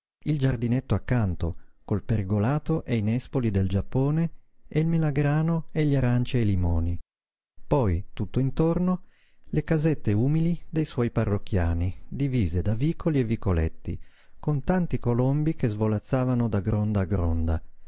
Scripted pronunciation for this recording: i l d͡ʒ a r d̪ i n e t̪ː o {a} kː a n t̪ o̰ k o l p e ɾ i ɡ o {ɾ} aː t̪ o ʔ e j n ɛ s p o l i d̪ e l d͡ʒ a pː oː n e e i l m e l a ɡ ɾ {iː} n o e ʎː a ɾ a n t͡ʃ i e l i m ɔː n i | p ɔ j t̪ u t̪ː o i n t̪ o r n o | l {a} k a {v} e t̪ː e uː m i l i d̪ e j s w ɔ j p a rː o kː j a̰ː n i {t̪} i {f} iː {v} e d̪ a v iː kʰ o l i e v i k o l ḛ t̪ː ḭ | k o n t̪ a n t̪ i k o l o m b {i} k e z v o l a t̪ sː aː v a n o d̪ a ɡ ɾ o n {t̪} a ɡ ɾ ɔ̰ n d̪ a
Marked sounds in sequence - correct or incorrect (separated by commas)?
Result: correct, incorrect, incorrect, incorrect, incorrect, incorrect, incorrect, incorrect, correct, incorrect